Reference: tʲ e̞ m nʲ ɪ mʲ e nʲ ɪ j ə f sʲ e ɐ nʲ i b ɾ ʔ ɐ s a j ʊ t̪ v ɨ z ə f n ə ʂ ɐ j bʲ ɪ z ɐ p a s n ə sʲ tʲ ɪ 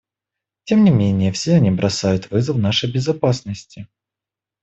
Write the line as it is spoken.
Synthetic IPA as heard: tʲ e̞ m nʲ ɪ mʲ e nʲ ɪ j ə f sʲ e ɐ nʲ i b ɾ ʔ ɐ s a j ʊ t̪ v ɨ z ə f n a ʂ ə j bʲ ɪ z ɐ p a s n ə sʲ tʲ ɪ